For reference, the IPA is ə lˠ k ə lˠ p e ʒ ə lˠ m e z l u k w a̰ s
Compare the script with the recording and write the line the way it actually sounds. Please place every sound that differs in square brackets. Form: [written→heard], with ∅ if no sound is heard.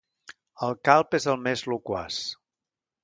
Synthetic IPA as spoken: ə lˠ k [ə→a] lˠ p e [ʒ→z] ə lˠ m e z l u k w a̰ s